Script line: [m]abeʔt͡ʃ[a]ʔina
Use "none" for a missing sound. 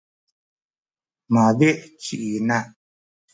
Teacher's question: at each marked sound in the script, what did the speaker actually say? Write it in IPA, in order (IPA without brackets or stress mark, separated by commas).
m, i